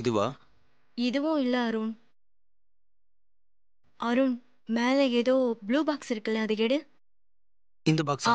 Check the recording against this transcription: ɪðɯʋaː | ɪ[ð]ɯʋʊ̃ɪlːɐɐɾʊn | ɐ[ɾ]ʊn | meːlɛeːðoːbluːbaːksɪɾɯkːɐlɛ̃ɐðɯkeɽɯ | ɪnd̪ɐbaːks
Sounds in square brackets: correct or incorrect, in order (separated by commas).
correct, correct